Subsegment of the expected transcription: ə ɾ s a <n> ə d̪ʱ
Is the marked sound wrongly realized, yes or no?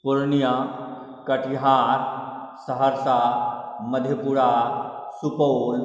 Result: yes